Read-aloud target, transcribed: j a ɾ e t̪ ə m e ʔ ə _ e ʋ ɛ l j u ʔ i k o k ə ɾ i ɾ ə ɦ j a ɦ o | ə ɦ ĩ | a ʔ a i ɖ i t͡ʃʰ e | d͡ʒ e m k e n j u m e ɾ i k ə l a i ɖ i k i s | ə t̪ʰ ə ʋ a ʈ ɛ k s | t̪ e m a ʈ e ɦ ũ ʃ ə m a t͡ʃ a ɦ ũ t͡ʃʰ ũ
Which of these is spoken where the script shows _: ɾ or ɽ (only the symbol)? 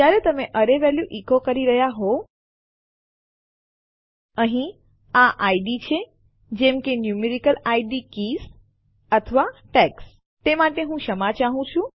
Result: ɾ